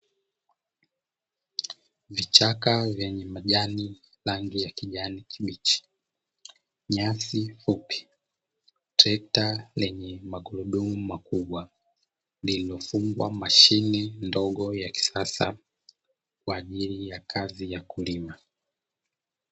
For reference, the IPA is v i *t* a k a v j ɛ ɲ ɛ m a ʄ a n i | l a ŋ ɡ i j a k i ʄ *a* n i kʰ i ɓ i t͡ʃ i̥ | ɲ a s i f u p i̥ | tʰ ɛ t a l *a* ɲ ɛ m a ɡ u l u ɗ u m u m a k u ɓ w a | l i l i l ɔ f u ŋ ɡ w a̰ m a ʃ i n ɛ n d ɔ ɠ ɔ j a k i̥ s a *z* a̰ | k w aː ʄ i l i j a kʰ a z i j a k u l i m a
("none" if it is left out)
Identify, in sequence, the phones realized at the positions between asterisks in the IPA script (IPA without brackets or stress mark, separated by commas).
t͡ʃ, a, ɛ, s